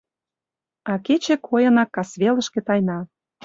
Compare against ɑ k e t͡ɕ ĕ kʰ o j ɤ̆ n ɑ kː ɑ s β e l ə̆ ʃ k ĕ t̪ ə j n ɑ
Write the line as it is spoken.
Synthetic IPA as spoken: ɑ k e t͡ɕ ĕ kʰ o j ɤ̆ n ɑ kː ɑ s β e l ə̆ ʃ k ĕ t̪ ɑ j n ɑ

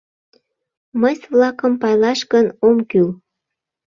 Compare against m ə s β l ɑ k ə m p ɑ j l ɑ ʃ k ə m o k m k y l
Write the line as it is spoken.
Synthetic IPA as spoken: m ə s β l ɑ k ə m p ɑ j l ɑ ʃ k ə n o m k y l

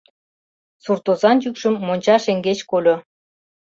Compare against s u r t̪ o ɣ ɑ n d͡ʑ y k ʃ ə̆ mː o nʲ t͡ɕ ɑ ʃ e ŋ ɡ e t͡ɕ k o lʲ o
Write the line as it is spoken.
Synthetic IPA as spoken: s u r t̪ o z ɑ n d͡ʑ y k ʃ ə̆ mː o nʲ t͡ɕ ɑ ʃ e ŋ ɡ e t͡ɕ k o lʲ o

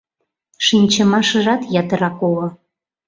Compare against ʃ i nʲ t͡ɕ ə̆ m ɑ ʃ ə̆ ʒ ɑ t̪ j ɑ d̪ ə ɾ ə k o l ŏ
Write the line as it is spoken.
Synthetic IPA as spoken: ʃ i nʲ t͡ɕ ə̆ m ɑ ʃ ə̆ ʒ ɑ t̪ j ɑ t̪ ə ɾ ɑ k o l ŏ

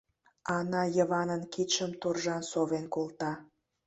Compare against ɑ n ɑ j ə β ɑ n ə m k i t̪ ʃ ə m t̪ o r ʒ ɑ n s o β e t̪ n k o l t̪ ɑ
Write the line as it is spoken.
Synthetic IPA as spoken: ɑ n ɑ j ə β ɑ n ə n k i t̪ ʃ ə m t̪ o r ʒ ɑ n s o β e n k o l t̪ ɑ

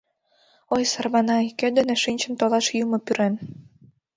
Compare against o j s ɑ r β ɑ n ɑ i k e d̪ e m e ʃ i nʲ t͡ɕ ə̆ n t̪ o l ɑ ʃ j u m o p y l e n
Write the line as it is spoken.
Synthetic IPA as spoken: o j s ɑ r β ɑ n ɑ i k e d̪ e n e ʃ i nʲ t͡ɕ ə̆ n t̪ o l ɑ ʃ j u m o p y ɾ e n

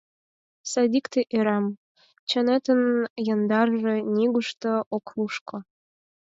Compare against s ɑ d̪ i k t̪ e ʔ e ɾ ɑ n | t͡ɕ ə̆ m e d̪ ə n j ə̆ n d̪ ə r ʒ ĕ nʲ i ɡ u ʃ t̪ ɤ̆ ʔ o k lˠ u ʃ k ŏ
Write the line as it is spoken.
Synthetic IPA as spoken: s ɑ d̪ i k t̪ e ʔ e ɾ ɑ m | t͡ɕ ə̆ n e t̪ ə n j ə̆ n d̪ ɑ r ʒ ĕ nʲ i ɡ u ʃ t̪ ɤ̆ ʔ o k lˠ u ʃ k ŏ

